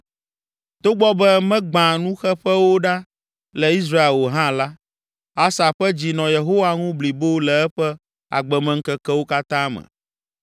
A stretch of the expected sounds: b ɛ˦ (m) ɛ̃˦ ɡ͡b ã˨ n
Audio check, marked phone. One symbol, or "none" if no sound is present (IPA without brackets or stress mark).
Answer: m